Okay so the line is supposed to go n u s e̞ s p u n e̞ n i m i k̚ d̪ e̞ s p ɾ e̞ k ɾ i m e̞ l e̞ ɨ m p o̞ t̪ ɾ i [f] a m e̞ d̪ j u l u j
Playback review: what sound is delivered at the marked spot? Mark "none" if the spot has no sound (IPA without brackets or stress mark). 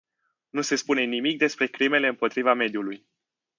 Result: v